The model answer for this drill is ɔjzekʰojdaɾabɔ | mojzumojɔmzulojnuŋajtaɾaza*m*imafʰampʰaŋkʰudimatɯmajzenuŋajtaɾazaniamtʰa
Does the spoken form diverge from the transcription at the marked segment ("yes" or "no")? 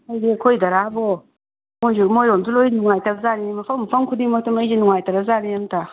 yes